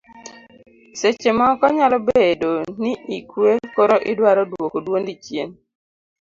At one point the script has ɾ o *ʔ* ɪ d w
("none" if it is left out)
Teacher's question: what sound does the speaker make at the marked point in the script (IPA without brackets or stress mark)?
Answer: ʔ